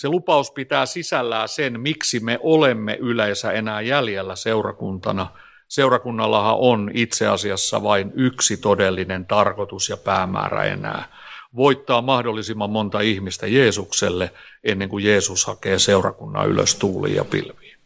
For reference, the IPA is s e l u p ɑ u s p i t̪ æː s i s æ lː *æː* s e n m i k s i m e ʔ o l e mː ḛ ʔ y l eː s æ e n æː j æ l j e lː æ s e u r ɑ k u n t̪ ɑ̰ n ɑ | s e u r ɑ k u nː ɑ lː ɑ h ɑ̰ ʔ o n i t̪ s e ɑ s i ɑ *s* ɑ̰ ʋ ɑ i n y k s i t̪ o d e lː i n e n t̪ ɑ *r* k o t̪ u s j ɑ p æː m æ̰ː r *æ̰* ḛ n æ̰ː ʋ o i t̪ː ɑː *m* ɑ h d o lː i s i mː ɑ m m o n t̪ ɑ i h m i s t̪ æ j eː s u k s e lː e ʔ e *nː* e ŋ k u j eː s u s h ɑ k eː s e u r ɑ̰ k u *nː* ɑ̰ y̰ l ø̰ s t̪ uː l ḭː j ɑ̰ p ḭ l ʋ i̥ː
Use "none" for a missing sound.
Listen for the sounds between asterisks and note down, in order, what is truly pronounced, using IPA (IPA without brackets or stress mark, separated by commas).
æː, sː, r, æ̰, m, nː, nː